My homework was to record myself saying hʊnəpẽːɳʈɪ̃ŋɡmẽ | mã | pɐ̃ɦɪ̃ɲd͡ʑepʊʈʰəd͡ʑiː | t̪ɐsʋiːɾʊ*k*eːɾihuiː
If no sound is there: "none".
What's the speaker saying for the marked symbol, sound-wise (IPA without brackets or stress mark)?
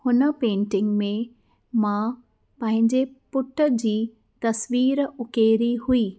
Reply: k